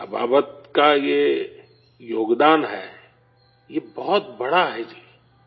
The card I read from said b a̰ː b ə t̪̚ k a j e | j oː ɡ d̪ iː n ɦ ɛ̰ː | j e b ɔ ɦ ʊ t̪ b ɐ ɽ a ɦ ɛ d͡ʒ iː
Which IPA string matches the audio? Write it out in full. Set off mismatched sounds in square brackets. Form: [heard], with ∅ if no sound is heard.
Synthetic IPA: b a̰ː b ə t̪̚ k a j e | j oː ɡ d̪ [aː] n ɦ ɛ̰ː | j e b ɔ ɦ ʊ t̪ b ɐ ɽ a ɦ ɛ d͡ʒ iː